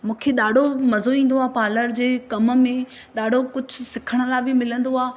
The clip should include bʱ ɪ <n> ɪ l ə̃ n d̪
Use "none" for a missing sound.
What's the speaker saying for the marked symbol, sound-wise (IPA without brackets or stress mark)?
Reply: m